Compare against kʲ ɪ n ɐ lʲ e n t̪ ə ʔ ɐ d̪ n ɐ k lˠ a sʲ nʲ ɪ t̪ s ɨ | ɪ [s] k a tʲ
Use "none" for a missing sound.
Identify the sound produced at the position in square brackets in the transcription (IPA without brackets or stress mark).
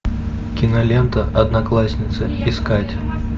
s